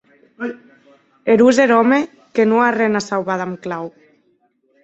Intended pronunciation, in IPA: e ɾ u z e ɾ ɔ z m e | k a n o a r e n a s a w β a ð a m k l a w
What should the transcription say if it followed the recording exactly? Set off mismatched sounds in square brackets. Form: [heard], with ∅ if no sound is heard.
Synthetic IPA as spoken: e ɾ u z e ɾ ɔ [∅] m e | k [e] n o a r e n a s a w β a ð a m k l a w

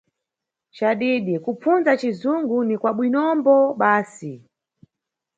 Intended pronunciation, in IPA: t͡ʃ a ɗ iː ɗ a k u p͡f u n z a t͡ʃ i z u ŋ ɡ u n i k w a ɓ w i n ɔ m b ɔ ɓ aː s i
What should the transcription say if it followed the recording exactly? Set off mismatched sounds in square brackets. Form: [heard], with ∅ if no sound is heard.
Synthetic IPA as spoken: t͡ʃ a ɗ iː ɗ [i] k u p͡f u n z a t͡ʃ i z u ŋ ɡ u n i k w a ɓ w i n ɔ m b ɔ ɓ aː s i

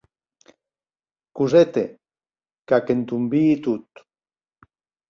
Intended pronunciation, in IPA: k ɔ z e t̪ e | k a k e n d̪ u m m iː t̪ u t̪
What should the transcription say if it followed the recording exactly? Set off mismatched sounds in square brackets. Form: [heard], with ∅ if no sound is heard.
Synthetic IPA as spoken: k [u] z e t̪ e | k a k e n [t̪] u m [b] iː t̪ u t̪

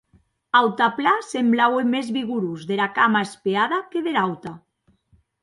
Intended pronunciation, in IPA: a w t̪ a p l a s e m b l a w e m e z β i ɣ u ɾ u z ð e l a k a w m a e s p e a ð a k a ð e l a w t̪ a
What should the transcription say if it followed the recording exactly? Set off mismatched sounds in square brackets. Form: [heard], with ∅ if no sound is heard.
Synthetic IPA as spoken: a w t̪ a p l a s e m b l a w e m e z β i ɣ u ɾ u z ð e l a k a [∅] m a e s p e a ð a k [e] ð e l a w t̪ a

